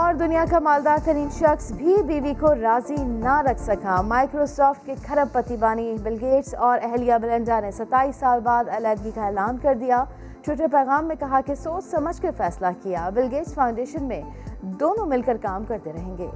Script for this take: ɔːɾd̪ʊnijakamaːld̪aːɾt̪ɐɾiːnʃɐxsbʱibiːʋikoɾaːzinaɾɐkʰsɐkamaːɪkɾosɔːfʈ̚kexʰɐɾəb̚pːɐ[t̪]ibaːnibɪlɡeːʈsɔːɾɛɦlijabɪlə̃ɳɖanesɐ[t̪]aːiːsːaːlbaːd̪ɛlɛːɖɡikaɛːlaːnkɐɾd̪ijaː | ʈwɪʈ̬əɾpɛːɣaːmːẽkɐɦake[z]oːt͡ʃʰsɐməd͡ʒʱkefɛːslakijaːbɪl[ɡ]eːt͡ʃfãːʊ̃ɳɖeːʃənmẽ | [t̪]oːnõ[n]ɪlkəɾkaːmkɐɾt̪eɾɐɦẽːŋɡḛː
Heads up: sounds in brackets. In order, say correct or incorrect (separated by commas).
correct, correct, incorrect, correct, incorrect, incorrect